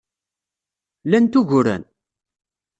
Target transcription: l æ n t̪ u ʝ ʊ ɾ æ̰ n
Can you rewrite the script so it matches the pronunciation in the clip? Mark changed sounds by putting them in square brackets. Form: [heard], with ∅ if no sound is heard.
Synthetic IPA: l æ n t̪ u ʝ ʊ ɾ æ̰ n